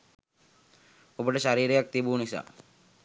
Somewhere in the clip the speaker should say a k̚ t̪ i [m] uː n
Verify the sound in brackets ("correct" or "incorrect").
incorrect